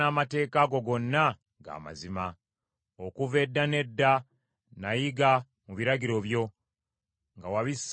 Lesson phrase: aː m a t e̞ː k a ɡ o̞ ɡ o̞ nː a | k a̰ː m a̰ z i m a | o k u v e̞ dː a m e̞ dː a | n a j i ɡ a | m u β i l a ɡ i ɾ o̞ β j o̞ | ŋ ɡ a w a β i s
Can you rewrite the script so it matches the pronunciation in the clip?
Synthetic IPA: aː m a t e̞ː k a ɡ o̞ ɡ o̞ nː a | ɡ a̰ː m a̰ z i m a | o k u v e̞ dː a n e̞ dː a | n a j i ɡ a | m u β i ɾ a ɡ i ɾ o̞ β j o̞ | ŋ ɡ a w a β i s